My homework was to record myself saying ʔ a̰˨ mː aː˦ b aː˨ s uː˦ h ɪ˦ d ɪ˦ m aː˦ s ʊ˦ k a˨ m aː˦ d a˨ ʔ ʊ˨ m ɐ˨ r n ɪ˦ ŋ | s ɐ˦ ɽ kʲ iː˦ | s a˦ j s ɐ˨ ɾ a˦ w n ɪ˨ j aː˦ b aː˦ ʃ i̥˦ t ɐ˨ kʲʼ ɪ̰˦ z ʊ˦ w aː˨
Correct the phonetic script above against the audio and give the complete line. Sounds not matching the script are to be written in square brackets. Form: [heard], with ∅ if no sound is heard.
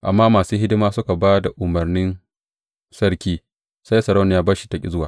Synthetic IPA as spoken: ʔ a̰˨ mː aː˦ [m] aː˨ s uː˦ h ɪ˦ d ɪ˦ m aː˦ s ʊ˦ k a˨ [b] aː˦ d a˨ ʔ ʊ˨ m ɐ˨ r n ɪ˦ [n] | s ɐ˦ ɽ kʲ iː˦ | s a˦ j s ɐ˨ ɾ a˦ w n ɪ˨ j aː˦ b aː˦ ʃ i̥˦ t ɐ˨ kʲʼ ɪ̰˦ z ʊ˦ w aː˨